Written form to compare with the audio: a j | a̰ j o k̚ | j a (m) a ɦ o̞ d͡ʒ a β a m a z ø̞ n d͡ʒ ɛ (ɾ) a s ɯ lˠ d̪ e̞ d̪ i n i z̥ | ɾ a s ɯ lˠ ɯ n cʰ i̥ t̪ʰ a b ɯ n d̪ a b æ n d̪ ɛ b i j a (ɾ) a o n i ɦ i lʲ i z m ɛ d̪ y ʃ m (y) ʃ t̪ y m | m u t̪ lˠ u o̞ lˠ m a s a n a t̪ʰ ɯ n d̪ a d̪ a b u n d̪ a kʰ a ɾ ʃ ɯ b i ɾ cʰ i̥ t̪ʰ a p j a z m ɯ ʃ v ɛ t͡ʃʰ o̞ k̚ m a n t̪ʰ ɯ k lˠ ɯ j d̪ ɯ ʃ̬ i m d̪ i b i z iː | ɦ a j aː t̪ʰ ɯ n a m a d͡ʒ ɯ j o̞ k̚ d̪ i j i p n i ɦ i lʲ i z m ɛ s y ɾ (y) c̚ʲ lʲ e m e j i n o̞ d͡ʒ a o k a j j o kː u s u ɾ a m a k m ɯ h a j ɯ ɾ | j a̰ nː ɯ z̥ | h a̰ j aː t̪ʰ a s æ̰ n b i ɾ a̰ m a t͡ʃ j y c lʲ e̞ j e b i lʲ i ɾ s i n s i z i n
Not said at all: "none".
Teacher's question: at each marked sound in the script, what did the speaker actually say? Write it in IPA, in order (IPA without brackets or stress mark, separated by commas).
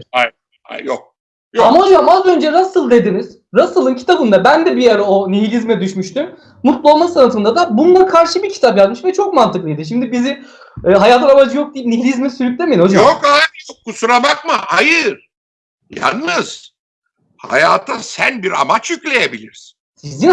m, ɾ, ɾ, y, y